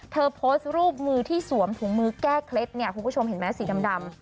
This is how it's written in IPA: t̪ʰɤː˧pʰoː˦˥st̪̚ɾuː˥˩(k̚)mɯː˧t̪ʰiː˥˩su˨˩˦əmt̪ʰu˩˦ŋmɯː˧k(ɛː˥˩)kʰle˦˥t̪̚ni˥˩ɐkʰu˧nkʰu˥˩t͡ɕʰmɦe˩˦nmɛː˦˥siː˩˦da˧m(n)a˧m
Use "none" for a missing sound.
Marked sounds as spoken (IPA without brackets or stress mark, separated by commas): p̚, ɛː˥˩, d